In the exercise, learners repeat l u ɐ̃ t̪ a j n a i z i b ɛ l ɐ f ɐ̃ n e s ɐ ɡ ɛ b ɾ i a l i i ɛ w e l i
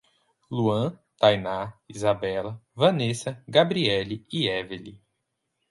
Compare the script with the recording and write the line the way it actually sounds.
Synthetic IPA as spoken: l u ɐ̃ t̪ a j n a i z a b ɛ l ɐ v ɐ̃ n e s ɐ ɡ a b ɾ i ɛ l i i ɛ v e l i

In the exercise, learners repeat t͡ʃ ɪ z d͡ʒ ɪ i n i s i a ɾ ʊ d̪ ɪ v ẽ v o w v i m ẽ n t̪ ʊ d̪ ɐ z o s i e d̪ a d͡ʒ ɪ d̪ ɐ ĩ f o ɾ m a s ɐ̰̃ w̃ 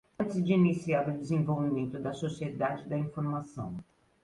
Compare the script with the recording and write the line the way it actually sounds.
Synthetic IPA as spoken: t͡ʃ ɪ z d͡ʒ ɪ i n i s i a ɾ ʊ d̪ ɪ z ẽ v o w v i m ẽ n t̪ ʊ d̪ ɐ s o s i e d̪ a d͡ʒ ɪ d̪ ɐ ĩ f o ɾ m a s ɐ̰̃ w̃

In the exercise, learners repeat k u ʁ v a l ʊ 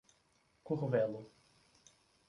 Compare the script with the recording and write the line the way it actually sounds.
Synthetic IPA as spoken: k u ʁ v ɛ l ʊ

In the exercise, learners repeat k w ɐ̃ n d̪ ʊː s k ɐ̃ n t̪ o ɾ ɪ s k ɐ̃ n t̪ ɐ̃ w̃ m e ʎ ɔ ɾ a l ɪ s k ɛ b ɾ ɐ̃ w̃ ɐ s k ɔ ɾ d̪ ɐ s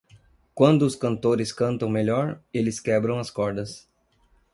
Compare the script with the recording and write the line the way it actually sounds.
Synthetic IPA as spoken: k w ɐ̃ n d̪ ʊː s k ɐ̃ n t̪ o ɾ ɪ s k ɐ̃ n t̪ ɐ̃ w̃ m e ʎ ɔ ɾ e l ɪ s k ɛ b ɾ ɐ̃ w̃ ɐ s k ɔ ɾ d̪ ɐ s

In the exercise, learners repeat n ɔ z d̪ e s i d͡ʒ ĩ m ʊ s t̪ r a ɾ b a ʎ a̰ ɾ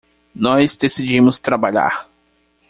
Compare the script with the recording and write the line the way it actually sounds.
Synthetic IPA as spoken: n ɔ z d̪ e s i d͡ʒ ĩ m ʊ s t̪ ɾ a b a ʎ a̰ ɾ

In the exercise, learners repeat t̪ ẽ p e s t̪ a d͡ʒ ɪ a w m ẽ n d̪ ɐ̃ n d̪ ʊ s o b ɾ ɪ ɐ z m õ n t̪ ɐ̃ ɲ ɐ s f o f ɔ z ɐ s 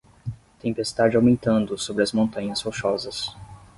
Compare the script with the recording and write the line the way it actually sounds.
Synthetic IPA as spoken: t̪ ẽ p e s t̪ a d͡ʒ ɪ a w m ẽ n t̪ ɐ̃ n d̪ ʊ s o b ɾ ɪ ɐ z m õ n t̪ ɐ̃ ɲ ɐ s f o ʃ ɔ z ɐ s

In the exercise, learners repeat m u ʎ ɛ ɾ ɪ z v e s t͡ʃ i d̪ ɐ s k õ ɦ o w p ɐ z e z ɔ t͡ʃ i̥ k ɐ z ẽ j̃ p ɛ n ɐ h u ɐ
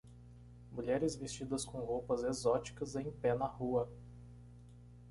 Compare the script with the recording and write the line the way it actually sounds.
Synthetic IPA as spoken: m u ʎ ɛ ɾ ɪ z v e s t͡ʃ i d̪ ɐ s k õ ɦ o w p ɐ z e z ɔ t͡ʃ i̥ k ɐ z ẽ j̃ p ɛ n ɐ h u ɐ

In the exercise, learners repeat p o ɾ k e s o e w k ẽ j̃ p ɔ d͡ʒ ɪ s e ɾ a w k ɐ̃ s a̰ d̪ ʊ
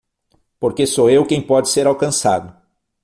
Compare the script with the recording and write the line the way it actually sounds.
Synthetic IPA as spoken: p o ɾ k e s o e w k ẽ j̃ p ɔ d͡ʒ ɪ s e ɾ a w k ɐ̃ s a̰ d̪ ʊ

